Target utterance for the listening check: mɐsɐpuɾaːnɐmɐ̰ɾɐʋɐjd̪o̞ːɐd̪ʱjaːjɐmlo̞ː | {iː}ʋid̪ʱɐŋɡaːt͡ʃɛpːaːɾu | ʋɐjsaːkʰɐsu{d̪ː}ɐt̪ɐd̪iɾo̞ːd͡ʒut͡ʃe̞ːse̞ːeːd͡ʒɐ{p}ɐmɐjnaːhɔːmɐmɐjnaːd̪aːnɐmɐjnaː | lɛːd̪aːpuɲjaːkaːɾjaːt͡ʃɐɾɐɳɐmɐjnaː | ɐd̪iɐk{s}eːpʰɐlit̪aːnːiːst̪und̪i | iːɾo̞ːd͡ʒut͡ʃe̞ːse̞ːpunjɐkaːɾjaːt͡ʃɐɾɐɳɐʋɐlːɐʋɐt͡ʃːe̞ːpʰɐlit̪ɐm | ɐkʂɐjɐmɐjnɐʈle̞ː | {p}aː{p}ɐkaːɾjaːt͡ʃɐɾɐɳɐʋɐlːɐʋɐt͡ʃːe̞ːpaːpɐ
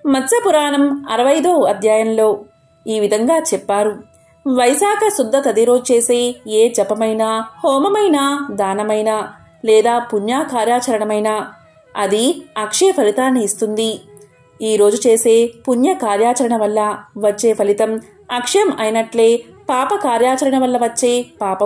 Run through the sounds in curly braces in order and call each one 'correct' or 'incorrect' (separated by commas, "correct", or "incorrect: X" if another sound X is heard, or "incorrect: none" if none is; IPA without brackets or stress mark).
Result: correct, correct, correct, incorrect: ʂ, correct, correct